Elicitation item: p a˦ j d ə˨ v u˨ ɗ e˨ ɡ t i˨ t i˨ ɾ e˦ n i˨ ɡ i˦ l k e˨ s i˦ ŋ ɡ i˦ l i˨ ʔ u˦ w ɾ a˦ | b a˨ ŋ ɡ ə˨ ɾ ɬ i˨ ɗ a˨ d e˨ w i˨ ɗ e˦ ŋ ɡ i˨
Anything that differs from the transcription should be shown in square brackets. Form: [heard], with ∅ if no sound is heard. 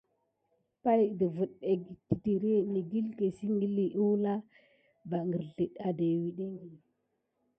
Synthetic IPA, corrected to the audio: p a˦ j d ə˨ v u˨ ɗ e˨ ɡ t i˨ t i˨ ɾ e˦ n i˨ ɡ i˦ l k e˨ s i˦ ŋ ɡ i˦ l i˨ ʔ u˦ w [l] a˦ | b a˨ ŋ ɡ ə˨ ɾ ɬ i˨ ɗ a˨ d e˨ w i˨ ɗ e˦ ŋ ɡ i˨